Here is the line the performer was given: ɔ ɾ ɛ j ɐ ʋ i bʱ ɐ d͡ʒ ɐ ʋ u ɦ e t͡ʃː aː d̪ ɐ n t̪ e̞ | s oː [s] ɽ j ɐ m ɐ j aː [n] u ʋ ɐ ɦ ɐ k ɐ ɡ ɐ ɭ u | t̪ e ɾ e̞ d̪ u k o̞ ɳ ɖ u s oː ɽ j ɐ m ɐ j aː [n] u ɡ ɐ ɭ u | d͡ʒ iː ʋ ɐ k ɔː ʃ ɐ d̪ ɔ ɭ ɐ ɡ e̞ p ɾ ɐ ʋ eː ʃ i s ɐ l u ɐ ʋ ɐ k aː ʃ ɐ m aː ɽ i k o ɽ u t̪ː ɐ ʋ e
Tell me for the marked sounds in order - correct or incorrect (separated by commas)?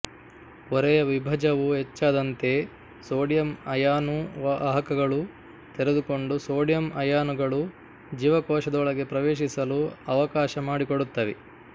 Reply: incorrect, correct, correct